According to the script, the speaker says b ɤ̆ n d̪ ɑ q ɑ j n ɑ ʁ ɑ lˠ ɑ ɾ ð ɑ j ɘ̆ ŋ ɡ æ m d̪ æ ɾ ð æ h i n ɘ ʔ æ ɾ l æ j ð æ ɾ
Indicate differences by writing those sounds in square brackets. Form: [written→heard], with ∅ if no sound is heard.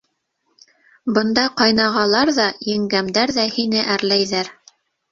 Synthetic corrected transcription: b ɤ̆ n d̪ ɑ q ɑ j n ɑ ʁ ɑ lˠ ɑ ɾ ð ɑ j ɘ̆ ŋ ɡ æ m d̪ æ ɾ ð æ h i n ɘ ʔ æ ɾ l æ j ð æ ɾ

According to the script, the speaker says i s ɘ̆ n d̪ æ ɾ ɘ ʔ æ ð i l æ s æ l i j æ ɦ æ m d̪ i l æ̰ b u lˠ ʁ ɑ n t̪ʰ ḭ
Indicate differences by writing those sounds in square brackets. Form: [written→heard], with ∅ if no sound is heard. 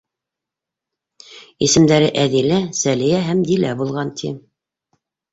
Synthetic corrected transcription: i s ɘ̆ [n→m] d̪ æ ɾ ɘ ʔ æ ð i l æ s æ l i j æ ɦ æ m d̪ i l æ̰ b u lˠ ʁ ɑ n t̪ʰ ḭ

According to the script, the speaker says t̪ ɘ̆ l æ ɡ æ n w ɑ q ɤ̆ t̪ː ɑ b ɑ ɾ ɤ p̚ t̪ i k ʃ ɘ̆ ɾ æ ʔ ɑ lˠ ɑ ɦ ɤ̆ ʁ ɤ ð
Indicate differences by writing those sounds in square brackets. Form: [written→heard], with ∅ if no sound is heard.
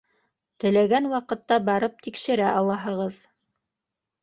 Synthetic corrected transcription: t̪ ɘ̆ l æ ɡ æ n w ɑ q ɤ̆ t̪ː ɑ b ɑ ɾ ɤ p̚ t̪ i k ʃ ɘ̆ ɾ æ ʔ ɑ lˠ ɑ ɦ ɤ̆ ʁ ɤ ð

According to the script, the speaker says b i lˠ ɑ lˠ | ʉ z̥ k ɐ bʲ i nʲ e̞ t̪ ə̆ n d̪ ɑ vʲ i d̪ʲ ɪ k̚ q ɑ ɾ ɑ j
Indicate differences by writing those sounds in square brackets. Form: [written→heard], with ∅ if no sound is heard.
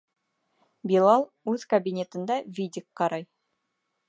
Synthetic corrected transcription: b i lˠ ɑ lˠ | ʉ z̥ k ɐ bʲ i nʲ e̞ t̪ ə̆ n d̪ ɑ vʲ i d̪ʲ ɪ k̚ q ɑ ɾ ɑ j

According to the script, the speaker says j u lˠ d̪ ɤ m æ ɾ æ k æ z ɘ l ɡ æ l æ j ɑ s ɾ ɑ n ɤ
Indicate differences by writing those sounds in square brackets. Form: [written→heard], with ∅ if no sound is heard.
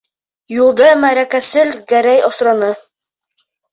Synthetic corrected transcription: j u lˠ d̪ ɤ m æ ɾ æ k æ [z→s] ɘ l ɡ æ [l→ɾ] æ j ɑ s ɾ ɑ n ɤ

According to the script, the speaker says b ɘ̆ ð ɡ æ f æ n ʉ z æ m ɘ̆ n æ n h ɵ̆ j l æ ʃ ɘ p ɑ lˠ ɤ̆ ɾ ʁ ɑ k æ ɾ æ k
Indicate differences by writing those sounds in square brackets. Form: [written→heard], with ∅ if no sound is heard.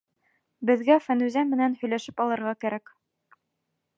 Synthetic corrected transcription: b ɘ̆ ð ɡ æ f æ n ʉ z æ m ɘ̆ n æ n h ɵ̆ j l æ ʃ ɘ p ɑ lˠ ɤ̆ ɾ ʁ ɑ k æ ɾ æ k

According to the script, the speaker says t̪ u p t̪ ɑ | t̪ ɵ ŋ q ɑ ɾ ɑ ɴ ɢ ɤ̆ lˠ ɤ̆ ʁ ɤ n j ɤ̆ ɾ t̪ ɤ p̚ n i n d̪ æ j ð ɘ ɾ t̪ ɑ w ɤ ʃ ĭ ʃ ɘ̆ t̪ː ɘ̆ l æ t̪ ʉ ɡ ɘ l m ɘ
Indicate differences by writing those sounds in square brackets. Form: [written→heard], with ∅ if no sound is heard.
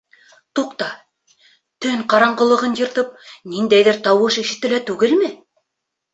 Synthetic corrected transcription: t̪ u [p→q] t̪ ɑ | t̪ ɵ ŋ q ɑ ɾ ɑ ɴ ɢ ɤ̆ lˠ ɤ̆ ʁ ɤ n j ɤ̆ ɾ t̪ ɤ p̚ n i n d̪ æ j ð ɘ ɾ t̪ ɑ w ɤ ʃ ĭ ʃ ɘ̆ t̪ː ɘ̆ l æ t̪ ʉ ɡ ɘ l m ɘ

